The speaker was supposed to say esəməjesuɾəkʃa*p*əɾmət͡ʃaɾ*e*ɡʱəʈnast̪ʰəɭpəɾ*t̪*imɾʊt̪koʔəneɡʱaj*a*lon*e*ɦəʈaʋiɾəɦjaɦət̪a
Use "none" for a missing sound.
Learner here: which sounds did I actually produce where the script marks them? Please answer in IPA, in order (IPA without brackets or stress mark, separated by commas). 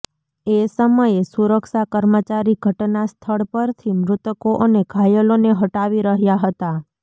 k, i, t̪ʰ, ə, e